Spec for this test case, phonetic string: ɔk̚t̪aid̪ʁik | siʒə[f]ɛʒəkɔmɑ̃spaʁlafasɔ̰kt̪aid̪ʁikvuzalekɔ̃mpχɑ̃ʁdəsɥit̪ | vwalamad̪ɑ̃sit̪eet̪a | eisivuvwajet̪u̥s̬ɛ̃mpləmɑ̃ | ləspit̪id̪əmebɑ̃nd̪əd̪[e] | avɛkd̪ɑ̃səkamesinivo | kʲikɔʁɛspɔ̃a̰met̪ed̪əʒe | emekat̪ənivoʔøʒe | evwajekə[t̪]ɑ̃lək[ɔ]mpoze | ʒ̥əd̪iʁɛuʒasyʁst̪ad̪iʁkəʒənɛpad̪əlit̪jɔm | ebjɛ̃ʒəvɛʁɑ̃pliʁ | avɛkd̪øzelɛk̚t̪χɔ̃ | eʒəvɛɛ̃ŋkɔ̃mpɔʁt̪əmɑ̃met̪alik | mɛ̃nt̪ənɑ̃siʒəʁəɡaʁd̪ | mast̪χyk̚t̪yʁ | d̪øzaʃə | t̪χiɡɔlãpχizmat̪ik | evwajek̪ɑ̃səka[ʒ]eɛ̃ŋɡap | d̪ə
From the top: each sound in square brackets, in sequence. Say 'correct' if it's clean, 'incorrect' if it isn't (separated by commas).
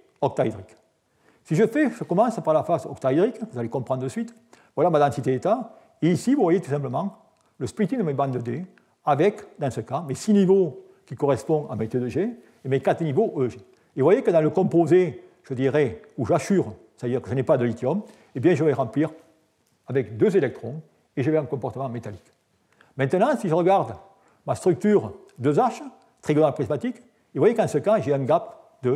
correct, correct, incorrect, incorrect, correct